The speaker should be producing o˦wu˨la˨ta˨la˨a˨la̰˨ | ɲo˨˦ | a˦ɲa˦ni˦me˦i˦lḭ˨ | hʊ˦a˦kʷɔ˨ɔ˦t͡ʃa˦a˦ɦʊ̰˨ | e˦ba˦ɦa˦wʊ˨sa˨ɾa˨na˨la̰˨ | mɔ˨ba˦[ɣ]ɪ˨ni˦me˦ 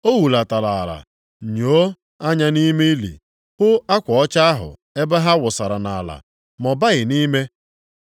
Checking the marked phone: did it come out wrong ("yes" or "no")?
no